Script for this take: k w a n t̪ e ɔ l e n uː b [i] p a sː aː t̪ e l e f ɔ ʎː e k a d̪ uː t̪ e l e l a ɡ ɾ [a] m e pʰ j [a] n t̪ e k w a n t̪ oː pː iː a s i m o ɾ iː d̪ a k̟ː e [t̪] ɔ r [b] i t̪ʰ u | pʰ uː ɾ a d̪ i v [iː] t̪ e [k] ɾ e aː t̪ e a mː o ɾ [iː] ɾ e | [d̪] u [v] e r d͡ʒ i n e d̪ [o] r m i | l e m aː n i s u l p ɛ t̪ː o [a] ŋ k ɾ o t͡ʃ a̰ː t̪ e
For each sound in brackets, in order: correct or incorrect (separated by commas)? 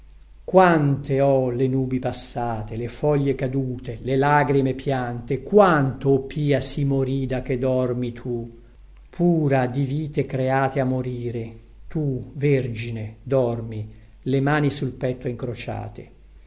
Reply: correct, incorrect, correct, incorrect, incorrect, correct, correct, correct, incorrect, correct, incorrect, incorrect